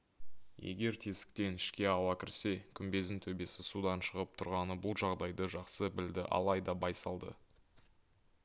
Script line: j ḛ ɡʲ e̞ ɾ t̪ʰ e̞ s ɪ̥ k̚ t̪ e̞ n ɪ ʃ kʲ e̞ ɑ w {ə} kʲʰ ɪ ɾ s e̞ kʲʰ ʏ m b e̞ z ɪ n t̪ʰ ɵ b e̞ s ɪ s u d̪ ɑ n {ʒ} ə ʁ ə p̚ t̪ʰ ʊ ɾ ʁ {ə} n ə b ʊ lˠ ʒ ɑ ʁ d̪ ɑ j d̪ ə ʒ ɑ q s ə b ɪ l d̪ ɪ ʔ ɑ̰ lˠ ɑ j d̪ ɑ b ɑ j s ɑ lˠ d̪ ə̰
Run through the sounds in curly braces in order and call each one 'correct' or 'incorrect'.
incorrect, incorrect, incorrect

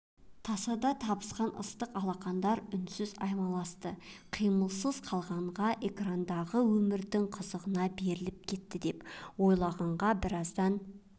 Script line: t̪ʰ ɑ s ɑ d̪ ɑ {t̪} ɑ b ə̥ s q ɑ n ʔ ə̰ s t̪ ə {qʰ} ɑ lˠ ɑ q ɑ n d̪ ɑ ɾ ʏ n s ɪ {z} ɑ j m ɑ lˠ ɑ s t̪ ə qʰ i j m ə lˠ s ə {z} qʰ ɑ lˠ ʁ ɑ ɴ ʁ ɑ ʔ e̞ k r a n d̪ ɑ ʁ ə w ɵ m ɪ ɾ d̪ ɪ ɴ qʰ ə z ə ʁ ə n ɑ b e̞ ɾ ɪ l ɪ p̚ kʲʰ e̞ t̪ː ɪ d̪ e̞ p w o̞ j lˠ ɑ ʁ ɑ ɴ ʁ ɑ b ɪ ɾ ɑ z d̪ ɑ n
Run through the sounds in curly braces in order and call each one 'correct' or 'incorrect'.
incorrect, incorrect, correct, correct

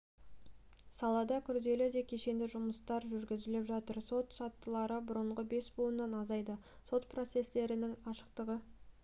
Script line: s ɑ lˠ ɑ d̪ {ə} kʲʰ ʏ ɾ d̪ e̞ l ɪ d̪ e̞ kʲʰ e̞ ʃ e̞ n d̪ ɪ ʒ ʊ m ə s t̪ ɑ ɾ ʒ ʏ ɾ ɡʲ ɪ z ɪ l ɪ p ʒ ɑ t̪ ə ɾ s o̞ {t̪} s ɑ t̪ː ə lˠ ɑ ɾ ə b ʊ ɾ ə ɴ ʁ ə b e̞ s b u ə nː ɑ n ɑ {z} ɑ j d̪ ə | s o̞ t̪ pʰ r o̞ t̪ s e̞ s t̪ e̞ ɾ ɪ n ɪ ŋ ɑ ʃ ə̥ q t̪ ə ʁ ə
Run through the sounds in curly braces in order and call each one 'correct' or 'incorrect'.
incorrect, correct, correct

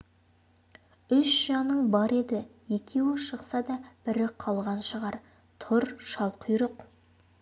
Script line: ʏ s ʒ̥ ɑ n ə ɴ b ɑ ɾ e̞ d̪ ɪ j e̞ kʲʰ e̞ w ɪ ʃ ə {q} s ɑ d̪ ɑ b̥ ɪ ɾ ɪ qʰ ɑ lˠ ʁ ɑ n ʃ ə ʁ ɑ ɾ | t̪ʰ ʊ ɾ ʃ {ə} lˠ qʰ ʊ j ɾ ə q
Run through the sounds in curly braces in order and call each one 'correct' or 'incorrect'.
correct, incorrect

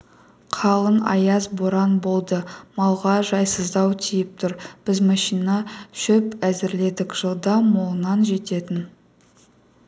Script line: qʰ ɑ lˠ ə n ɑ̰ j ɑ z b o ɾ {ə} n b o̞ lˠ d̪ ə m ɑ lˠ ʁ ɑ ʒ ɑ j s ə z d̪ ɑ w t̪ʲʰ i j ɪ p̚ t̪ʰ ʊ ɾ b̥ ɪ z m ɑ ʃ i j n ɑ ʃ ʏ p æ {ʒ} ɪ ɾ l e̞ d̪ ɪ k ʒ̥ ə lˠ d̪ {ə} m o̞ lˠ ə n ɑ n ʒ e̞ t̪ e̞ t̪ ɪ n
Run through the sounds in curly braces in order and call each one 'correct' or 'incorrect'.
incorrect, incorrect, incorrect

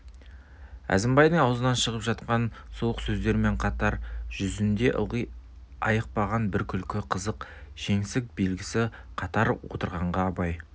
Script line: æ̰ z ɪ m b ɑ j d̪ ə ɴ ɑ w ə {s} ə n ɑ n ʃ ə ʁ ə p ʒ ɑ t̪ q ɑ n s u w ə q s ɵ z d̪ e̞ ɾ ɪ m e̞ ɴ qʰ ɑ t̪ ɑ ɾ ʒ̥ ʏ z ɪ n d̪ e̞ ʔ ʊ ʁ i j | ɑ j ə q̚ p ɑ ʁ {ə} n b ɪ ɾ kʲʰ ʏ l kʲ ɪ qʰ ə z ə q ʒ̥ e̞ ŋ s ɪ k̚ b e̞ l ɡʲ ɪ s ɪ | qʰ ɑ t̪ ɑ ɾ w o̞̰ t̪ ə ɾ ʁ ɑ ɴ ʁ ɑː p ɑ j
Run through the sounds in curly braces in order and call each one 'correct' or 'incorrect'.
incorrect, incorrect

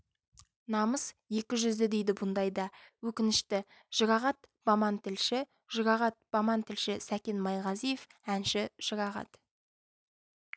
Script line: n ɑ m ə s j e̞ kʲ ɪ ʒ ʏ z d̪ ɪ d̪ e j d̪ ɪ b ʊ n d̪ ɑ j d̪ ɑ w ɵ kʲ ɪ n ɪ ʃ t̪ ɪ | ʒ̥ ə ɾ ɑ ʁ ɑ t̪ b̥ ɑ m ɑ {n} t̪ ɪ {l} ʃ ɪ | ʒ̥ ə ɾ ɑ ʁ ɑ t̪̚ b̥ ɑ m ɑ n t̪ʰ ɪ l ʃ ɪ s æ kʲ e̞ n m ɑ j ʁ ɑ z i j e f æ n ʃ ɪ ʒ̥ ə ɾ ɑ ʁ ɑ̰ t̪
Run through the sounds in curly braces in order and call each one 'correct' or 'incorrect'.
correct, correct

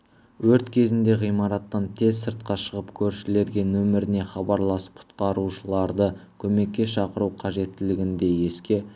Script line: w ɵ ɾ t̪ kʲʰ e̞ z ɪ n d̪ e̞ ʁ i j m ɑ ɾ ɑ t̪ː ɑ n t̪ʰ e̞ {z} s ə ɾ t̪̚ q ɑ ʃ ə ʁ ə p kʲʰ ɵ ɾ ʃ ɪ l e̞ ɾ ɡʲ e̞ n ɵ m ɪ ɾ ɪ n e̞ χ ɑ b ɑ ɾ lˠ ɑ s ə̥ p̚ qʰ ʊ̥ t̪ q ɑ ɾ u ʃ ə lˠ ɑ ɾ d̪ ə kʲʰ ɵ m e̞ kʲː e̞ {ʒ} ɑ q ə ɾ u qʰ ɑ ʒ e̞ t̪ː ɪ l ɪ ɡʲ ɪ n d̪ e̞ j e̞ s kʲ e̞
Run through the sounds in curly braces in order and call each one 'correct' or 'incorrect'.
correct, incorrect

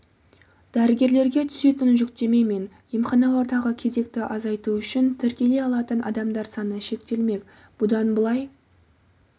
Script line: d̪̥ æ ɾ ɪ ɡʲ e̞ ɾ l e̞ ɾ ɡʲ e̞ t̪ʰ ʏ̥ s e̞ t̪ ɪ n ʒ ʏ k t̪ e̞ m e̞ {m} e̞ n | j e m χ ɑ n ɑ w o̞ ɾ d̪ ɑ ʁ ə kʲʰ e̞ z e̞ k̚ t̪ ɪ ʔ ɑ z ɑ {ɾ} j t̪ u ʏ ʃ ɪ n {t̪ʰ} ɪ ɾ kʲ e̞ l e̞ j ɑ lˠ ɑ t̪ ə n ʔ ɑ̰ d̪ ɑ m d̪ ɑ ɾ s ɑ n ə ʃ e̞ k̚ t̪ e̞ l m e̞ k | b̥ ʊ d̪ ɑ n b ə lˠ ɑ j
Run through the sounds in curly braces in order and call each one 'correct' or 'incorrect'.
correct, incorrect, correct

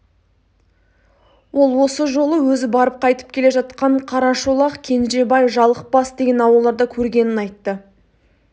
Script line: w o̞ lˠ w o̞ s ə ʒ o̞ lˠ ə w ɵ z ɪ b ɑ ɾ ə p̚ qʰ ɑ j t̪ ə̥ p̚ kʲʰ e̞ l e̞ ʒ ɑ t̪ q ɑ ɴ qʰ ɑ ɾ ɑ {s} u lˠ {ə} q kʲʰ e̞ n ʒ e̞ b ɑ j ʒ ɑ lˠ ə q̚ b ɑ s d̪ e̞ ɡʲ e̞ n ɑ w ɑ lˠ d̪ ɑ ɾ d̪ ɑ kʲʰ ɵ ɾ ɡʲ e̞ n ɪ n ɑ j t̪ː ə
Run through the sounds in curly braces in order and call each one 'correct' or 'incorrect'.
incorrect, incorrect

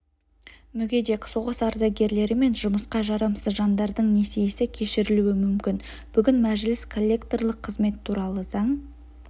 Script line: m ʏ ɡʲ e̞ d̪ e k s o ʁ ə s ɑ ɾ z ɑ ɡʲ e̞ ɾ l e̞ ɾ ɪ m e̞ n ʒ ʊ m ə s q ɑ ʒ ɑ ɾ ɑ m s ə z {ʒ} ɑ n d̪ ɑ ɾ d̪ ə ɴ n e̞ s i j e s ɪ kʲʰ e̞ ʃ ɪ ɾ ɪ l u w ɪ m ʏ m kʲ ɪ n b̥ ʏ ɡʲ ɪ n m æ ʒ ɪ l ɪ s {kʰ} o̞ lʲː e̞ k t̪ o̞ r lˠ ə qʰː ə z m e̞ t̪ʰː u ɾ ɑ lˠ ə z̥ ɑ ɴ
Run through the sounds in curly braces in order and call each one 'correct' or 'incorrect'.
correct, correct

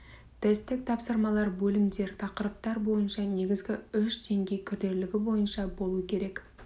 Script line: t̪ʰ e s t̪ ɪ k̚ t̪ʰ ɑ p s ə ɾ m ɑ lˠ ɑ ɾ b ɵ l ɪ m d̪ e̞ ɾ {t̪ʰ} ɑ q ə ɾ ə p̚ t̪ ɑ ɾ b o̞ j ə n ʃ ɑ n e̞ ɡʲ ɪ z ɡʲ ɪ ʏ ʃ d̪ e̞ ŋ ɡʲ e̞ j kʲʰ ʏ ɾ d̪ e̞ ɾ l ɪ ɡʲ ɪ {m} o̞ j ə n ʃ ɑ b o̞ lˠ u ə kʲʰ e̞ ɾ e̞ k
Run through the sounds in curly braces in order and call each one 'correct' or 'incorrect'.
correct, incorrect

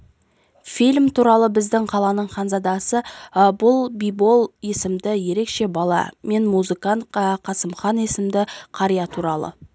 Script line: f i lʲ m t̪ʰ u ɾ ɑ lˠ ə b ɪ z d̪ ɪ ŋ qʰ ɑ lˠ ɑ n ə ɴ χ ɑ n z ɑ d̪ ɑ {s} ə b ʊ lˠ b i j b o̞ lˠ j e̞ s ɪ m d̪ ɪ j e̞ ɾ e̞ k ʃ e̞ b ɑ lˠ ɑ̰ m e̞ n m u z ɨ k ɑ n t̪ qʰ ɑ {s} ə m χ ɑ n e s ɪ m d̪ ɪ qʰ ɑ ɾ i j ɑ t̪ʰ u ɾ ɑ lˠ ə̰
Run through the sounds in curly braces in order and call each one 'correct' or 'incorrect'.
correct, correct

